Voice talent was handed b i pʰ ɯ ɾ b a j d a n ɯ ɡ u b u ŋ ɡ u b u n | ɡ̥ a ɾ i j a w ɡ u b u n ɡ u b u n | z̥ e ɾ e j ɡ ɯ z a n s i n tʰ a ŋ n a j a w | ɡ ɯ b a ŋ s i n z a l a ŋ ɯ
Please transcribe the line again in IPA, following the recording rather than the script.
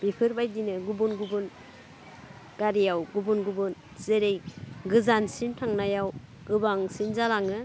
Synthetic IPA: b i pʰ ɯ ɾ b a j d i n ɯ ɡ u b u n ɡ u b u n | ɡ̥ a ɾ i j a w ɡ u b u n ɡ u b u n | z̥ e ɾ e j ɡ ɯ z a n s i n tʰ a ŋ n a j a w | ɡ ɯ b a ŋ s i n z a l a ŋ ɯ